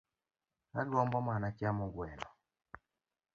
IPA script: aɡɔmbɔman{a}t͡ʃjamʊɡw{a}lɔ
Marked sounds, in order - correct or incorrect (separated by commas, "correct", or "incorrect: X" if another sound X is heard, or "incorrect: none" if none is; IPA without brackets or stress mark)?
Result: correct, incorrect: ɛ